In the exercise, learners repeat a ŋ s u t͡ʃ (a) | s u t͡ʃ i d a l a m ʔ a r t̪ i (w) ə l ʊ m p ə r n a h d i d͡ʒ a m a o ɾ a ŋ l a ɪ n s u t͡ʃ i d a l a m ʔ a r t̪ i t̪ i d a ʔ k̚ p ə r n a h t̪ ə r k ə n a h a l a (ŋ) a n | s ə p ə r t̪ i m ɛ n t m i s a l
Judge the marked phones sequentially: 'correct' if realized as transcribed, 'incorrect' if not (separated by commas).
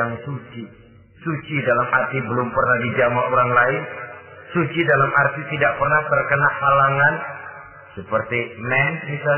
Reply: incorrect, incorrect, correct